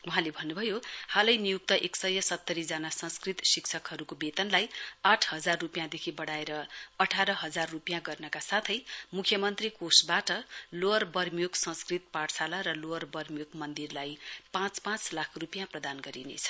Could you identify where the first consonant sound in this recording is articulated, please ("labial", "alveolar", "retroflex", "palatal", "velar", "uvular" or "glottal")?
glottal